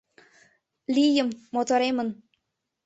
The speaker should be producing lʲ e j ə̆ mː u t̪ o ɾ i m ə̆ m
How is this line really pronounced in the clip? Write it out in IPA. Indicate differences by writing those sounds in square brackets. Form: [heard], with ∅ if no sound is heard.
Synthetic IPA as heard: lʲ [i] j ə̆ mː [o] t̪ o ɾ [e] m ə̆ [n]